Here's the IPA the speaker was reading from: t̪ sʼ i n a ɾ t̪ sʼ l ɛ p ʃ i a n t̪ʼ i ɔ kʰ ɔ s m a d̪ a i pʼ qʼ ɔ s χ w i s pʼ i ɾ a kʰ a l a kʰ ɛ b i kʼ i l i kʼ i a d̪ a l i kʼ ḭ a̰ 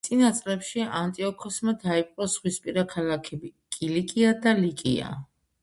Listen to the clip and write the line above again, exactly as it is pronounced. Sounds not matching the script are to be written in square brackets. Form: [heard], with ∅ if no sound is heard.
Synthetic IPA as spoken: t̪ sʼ i n a [∅] t̪ sʼ l ɛ p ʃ i a n t̪ʼ i ɔ kʰ ɔ s m a d̪ a i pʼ qʼ ɔ s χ w i s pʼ i ɾ a kʰ a l a kʰ ɛ b i kʼ i l i kʼ i a d̪ a l i kʼ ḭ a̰